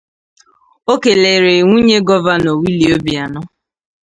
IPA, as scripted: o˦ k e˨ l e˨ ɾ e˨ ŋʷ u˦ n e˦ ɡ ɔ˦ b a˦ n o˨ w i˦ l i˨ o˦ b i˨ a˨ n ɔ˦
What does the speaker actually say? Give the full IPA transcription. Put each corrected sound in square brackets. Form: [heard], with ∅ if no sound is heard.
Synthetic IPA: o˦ k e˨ l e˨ ɾ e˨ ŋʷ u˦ [ɲ] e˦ ɡ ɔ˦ [v] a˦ n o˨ w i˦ l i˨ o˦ b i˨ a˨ n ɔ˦